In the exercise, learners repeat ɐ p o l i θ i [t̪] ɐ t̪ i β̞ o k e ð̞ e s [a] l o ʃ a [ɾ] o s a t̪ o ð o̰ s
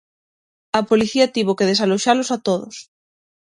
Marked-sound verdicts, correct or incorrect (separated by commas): incorrect, correct, incorrect